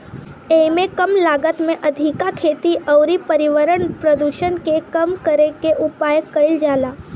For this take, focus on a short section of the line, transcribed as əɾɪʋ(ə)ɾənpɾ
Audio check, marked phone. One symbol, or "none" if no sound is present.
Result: ə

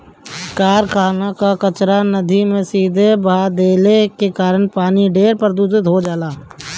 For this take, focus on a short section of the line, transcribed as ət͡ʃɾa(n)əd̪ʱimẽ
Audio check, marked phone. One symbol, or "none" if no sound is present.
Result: n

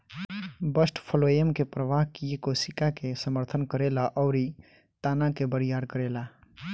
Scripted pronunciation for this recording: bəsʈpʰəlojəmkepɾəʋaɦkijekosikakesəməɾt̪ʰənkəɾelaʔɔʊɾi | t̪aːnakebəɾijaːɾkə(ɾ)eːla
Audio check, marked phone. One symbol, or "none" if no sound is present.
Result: ɾ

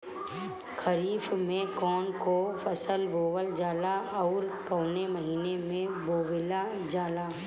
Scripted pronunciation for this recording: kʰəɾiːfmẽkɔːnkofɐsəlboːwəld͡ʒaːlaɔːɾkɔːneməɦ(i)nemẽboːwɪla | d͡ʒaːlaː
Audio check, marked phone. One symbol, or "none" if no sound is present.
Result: iː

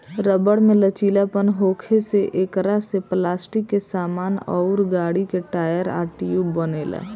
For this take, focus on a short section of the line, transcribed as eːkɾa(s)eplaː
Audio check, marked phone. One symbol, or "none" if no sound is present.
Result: s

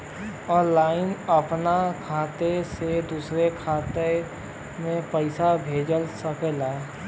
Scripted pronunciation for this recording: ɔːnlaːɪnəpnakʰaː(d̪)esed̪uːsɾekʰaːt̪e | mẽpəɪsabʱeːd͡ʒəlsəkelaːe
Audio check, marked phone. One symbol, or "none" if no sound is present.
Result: t̪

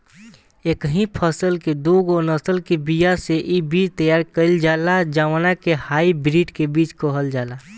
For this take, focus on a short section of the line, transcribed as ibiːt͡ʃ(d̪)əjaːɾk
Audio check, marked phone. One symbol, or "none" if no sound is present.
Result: t̪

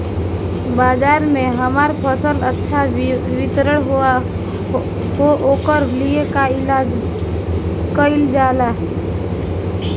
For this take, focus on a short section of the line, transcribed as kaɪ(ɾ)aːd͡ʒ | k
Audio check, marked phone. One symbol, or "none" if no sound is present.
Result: l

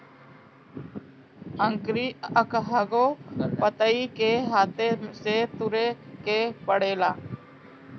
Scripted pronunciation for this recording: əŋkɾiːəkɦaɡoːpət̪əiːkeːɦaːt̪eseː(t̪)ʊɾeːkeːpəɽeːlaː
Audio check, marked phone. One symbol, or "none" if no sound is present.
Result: t̪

